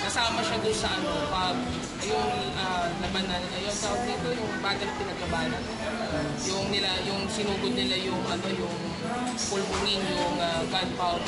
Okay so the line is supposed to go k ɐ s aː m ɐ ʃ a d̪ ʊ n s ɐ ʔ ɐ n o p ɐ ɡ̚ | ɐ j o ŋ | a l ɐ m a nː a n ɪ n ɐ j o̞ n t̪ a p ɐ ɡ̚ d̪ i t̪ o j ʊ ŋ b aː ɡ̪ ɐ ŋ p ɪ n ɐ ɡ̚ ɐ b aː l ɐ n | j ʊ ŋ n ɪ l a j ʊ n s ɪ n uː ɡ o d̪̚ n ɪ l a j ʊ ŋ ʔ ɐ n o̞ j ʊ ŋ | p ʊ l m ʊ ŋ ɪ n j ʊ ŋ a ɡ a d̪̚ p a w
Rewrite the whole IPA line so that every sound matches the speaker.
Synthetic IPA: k ɐ s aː m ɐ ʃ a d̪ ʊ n s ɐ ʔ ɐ n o p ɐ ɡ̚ | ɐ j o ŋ | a l ɐ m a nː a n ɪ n ɐ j o̞ n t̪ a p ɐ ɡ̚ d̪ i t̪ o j ʊ ŋ b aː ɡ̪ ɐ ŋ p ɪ n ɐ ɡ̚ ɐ b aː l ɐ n | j ʊ ŋ n ɪ l a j ʊ ŋ s ɪ n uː ɡ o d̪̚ n ɪ l a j ʊ ŋ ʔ ɐ n o̞ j ʊ ŋ | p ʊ l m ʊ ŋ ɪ n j ʊ ŋ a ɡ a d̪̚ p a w